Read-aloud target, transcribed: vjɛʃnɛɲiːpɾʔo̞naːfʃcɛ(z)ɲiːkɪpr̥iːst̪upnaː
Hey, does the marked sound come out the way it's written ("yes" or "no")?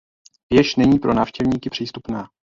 no